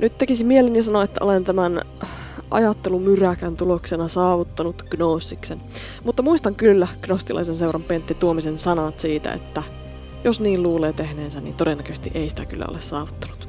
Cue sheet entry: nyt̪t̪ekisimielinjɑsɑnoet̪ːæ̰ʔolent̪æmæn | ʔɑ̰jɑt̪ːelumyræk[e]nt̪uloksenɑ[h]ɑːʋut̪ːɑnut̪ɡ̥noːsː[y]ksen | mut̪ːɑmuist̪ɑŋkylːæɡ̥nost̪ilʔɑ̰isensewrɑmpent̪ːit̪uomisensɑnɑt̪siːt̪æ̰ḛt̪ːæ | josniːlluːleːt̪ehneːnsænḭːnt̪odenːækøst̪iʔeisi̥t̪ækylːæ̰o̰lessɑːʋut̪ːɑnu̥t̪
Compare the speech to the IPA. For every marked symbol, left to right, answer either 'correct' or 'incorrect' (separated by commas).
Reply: incorrect, incorrect, incorrect